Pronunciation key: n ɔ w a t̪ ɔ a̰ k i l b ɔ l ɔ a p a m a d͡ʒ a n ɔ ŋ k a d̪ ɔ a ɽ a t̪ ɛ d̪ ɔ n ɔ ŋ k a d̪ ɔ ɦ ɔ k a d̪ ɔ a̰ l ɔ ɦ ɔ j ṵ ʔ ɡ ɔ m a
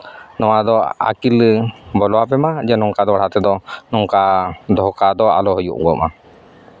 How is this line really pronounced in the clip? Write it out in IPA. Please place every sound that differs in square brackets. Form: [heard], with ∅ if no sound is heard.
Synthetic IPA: n ɔ w a [d̪] ɔ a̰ k i l b ɔ l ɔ a p [ɛ] m a d͡ʒ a n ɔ ŋ k a d̪ ɔ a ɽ a t̪ ɛ d̪ ɔ n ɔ ŋ k a d̪ ɔ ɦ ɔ k a d̪ ɔ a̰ l ɔ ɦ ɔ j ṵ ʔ ɡ ɔ m a